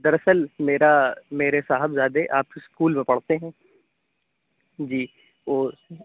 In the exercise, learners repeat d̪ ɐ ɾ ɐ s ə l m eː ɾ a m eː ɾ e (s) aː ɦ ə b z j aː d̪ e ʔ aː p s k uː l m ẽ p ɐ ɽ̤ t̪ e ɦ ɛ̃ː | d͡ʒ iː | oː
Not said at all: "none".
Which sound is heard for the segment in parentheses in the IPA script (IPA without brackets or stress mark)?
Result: s